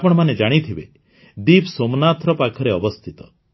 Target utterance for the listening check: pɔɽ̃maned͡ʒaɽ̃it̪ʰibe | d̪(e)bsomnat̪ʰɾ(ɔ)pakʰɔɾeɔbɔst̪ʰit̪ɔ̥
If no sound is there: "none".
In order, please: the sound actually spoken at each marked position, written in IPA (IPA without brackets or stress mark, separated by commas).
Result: i, ɔ